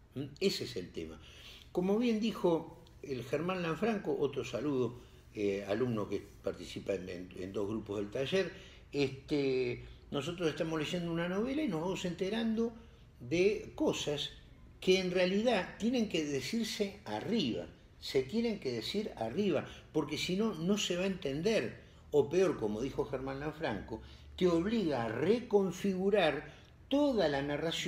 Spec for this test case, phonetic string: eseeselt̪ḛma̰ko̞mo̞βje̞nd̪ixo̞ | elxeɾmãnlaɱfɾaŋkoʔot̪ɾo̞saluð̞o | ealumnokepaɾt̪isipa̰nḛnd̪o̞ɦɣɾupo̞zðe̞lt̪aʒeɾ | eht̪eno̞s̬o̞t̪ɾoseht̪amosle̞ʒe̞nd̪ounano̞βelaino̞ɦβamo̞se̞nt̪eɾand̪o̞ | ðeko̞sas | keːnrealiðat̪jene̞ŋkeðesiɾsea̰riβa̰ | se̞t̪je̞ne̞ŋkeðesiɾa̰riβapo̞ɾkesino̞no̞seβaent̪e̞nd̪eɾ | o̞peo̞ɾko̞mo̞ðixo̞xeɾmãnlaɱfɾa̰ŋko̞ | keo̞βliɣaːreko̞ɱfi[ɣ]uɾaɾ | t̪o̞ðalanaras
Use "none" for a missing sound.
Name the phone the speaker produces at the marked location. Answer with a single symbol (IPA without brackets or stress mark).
ɣ